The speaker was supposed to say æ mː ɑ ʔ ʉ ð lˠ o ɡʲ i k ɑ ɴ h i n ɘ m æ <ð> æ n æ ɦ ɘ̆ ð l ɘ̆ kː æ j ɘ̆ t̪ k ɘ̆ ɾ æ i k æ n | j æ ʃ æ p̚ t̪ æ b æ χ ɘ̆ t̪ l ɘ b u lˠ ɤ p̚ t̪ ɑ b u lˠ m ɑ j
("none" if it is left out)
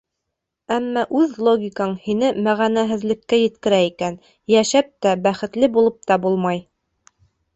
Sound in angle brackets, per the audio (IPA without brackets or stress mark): ʁ